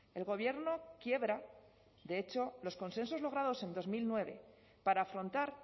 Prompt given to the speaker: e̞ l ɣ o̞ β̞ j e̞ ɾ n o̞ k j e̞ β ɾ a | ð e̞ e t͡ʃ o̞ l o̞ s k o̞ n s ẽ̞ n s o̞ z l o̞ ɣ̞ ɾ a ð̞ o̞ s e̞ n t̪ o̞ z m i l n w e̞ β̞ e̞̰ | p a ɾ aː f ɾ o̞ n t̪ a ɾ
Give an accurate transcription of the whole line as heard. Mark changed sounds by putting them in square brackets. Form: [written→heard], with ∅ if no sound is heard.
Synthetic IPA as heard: e̞ l ɣ o̞ β̞ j e̞ ɾ n o̞ k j e̞ β ɾ a | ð e̞ e t͡ʃ o̞ l o̞ s k o̞ n s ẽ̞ n s o̞ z l o̞ ɣ̞ ɾ a ð̞ o̞ s e̞ n [t̪→d̪] o̞ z m i l n w e̞ β̞ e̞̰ | p a ɾ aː f ɾ o̞ n t̪ a ɾ

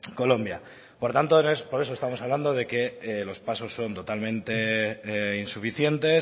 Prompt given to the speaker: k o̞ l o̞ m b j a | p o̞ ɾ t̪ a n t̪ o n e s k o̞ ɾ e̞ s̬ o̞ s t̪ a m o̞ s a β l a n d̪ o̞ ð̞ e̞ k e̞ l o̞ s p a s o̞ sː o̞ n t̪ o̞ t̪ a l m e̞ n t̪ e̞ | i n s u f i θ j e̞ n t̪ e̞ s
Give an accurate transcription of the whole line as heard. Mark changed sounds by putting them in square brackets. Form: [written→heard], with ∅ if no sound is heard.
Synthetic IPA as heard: k o̞ l o̞ m b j a | p o̞ ɾ t̪ a n t̪ o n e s [k→p] o̞ ɾ e̞ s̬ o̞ s t̪ a m o̞ s a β l a n d̪ o̞ ð̞ e̞ k e̞ l o̞ s p a s o̞ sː o̞ n t̪ o̞ t̪ a l m [e̞→ẽ̞] n t̪ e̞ | i n s u f i θ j e̞ n t̪ e̞ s

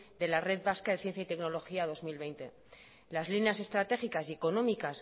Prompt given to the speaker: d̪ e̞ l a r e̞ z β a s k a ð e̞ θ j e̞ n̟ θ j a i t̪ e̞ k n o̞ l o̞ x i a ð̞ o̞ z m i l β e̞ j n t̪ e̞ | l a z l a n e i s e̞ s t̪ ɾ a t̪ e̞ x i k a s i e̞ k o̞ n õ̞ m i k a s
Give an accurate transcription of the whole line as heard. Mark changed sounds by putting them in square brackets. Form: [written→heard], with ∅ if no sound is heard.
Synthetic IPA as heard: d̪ e̞ l a r e̞ [z→ð] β a s k a ð e̞ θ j e̞ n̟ θ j a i t̪ e̞ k n o̞ l o̞ x i a ð̞ o̞ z m i l β e̞ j n t̪ e̞ | l a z l [a→i] n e [i→a] s e̞ s t̪ ɾ a t̪ e̞ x i k a s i e̞ k o̞ n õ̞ m i k a s

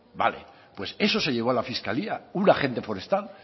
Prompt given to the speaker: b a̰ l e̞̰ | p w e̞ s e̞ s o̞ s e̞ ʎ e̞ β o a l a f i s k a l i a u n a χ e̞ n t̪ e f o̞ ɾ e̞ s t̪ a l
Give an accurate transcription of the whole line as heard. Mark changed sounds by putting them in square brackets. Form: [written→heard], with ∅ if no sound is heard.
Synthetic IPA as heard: b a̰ l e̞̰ | p w e̞ s e̞ s o̞ s e̞ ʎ e̞ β o a l a f i s k a l i a u n a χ e̞ n t̪ e f o̞ ɾ e̞ s t̪ a l

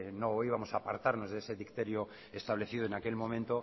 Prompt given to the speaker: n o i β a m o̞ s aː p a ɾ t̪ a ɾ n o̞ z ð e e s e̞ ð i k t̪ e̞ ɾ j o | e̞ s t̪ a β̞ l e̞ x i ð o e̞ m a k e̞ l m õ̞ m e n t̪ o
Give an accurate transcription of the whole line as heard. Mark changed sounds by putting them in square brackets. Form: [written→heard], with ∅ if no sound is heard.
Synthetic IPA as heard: n o i β a m o̞ s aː p a ɾ t̪ a ɾ n o̞ z ð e e s e̞ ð i k t̪ e̞ ɾ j o | e̞ s t̪ a β̞ l e̞ [x→θ] i ð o e̞ [m→n] a k e̞ l m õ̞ m [e→ẽ] n t̪ o

